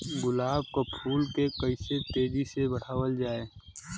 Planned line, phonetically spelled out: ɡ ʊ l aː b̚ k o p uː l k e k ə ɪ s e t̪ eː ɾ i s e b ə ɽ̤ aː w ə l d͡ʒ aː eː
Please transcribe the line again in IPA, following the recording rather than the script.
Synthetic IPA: ɡ ʊ l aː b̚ k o pʰ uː l k e k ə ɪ s e t̪ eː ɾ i s e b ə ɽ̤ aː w ə l d͡ʒ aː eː